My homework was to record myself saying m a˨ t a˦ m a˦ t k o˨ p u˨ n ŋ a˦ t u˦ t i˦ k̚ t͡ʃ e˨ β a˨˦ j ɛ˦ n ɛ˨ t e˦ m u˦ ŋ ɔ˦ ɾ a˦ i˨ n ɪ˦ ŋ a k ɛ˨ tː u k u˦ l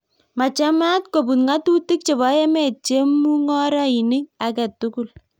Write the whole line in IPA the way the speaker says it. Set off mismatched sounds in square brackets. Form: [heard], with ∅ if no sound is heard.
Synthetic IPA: m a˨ [t͡ʃ] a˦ m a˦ t k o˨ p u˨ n ŋ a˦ t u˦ t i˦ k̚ t͡ʃ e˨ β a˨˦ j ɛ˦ [m] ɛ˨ [t͡ʃ] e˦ m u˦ ŋ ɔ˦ ɾ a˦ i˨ n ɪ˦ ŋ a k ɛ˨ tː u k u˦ l